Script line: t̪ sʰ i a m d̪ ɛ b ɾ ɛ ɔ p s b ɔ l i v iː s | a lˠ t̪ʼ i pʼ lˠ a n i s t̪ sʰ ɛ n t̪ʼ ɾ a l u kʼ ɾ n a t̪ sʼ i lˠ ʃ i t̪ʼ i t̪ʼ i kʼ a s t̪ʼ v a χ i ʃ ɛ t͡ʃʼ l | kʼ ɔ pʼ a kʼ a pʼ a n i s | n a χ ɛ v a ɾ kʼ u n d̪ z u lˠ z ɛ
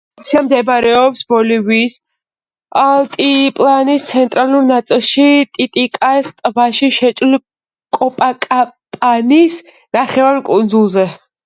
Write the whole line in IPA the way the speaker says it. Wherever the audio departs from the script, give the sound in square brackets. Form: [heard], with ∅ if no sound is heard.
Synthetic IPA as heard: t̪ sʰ i a m d̪ ɛ b ɾ ɛ ɔ p s b ɔ l i v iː s | a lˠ t̪ʼ i pʼ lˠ a n i s t̪ sʰ ɛ n t̪ʼ ɾ a l u [∅] ɾ n a t̪ sʼ i lˠ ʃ i t̪ʼ i t̪ʼ i kʼ a s t̪ʼ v a [ʃ] i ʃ ɛ t͡ʃʼ l | kʼ ɔ pʼ a kʼ a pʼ a n i s | n a χ ɛ v a ɾ kʼ u n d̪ z u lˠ z ɛ